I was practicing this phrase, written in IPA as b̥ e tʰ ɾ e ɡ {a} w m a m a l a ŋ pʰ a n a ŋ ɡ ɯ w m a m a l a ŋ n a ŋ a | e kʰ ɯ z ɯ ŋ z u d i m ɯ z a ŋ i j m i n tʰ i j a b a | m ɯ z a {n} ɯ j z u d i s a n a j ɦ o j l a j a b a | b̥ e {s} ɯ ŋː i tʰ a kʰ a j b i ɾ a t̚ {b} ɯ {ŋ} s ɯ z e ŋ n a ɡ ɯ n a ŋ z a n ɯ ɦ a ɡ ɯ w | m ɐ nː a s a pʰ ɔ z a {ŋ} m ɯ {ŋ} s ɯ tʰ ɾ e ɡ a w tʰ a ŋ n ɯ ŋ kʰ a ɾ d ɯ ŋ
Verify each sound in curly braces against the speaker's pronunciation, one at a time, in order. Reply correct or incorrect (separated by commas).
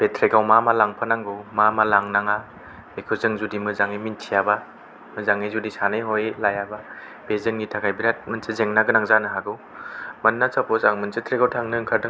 correct, incorrect, incorrect, incorrect, incorrect, correct, incorrect